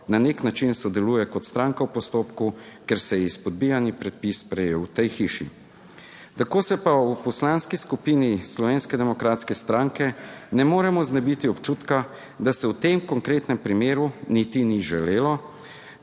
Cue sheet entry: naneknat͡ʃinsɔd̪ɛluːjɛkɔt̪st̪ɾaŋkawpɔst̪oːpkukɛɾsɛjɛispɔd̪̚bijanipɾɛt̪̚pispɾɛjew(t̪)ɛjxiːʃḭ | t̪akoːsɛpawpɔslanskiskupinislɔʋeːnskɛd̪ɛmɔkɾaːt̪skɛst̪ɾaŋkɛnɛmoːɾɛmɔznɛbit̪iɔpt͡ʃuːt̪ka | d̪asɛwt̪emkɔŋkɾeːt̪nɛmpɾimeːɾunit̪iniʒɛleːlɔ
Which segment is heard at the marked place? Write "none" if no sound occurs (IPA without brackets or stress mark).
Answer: t̪